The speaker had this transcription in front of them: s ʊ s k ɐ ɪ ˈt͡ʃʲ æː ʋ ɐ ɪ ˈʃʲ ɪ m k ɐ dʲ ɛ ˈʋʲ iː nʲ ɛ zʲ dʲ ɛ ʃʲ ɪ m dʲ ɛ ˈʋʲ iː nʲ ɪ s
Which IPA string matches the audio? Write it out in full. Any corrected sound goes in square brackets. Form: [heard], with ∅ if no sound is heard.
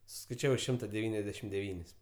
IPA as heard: s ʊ s k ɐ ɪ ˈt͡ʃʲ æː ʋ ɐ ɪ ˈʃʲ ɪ m [t] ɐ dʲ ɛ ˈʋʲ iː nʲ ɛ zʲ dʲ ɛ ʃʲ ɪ m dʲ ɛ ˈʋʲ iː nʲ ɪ s